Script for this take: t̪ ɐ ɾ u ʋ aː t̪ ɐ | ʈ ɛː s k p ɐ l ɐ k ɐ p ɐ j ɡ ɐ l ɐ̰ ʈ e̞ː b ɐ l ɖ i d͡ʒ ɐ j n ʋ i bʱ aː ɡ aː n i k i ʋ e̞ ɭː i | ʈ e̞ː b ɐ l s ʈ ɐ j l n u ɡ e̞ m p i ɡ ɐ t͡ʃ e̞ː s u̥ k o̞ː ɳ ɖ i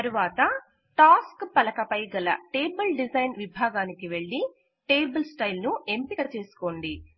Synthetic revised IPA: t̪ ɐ ɾ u ʋ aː t̪ ɐ | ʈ aː s k p ɐ l ɐ k ɐ p ɐ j ɡ ɐ l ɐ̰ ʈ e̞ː b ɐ l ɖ i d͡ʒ ɐ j n ʋ i bʱ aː ɡ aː n i k i ʋ e̞ ɭː i | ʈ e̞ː b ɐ l s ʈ ɐ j l n u e̞ m p i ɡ ɐ t͡ʃ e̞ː s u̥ k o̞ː ɳ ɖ i